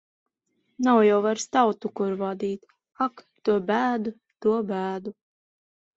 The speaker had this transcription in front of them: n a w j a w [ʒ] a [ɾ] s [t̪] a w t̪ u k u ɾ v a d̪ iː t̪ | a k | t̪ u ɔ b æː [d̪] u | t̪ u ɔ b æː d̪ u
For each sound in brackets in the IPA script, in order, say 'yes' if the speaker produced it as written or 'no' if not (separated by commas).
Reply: no, yes, yes, yes